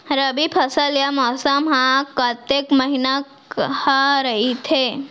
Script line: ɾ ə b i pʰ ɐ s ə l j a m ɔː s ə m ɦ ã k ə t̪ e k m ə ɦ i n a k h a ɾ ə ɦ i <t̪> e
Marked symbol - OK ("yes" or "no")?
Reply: no